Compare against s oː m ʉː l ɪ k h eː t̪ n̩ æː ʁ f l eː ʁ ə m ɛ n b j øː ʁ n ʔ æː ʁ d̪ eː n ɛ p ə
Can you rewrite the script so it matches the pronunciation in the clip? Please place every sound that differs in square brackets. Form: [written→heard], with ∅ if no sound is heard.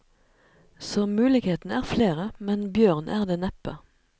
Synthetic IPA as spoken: s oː m ʉː l ɪ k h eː t̪ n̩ æː ʁ f l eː ʁ ə m ɛ n b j øː ʁ n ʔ æː ʁ d̪ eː n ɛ p ə